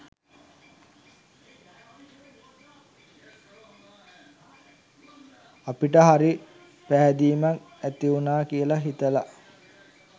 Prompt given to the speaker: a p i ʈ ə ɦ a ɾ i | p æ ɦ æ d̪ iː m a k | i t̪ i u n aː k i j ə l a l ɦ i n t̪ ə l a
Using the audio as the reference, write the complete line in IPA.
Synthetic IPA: a p i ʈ ə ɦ a ɾ i | p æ ɦ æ d̪ iː m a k | æ t̪ i u n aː k i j ə l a ɦ i t̪ ə l a

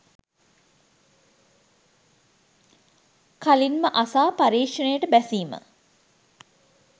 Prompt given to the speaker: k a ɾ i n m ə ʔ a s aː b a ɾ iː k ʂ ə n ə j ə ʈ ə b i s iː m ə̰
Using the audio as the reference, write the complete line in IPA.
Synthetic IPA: k a l i n m ə ʔ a s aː p a ɾ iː k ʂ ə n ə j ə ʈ ə b æ s iː m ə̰

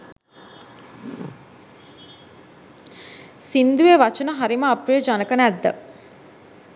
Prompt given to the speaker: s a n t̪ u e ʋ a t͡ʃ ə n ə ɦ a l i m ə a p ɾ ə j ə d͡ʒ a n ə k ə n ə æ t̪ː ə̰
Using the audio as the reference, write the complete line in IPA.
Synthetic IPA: s i n d̪ u e ʋ a t͡ʃ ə n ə ɦ a ɾ i m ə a p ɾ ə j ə d͡ʒ a n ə k ə n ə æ d̪ː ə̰

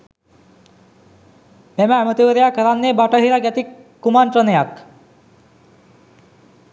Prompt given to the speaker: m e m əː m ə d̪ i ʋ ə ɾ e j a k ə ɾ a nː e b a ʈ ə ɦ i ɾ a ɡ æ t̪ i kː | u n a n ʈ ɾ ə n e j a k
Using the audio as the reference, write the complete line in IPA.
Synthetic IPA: m e m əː m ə t̪ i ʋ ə ɾ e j a k ə ɾ a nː e b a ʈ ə ɦ i ɾ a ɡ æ t̪ i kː | u m a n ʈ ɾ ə n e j a k

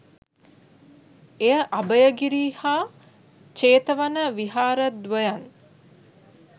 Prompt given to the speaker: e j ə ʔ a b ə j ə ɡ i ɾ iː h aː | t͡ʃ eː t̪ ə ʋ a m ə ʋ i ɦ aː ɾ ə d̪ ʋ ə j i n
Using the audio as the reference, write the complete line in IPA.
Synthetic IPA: e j ə ʔ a b ə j ə ɡ i ɾ iː h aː | t͡ʃ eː t̪ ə ʋ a n ə ʋ i ɦ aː ɾ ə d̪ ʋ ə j a n

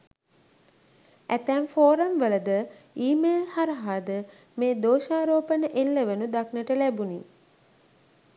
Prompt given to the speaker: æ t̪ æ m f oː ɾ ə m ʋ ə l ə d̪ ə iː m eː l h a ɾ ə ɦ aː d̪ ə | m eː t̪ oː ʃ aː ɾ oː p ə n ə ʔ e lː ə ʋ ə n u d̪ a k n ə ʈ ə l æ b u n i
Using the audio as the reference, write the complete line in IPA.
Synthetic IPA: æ t̪ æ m f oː ɾ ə m ʋ ə l ə d̪ ə iː m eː l h a ɾ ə ɦ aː d̪ ə | m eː d̪ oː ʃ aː ɾ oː p ə n ə ʔ e lː ə ʋ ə n u d̪ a k n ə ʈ ə l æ b u n i

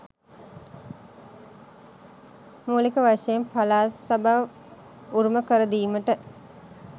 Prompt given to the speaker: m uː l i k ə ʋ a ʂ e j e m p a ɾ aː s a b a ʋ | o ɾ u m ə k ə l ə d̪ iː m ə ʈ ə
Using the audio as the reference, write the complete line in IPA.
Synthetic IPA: m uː l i k ə ʋ a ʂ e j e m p a l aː s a b a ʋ | u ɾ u m ə k ə ɾ ə d̪ iː m ə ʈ ə

